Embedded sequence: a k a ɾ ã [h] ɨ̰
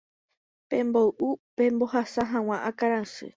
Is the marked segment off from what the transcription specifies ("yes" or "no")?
yes